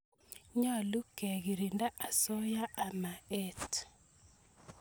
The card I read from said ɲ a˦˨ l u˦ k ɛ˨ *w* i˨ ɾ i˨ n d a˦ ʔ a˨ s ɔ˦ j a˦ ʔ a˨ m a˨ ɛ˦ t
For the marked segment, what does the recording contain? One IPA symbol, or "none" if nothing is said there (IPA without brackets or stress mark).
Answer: ɣ